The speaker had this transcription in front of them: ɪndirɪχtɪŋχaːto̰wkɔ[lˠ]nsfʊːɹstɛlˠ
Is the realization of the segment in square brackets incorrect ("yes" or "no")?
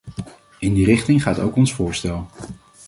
yes